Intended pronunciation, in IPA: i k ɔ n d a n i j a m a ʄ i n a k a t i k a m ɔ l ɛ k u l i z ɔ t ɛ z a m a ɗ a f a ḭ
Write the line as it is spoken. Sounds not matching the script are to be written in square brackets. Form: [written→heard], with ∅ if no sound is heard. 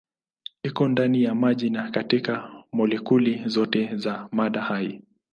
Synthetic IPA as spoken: i k ɔ n d a n i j a m a ʄ i n a k a t i k a m ɔ l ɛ k u l i z ɔ t ɛ z a m a ɗ a [f→h] a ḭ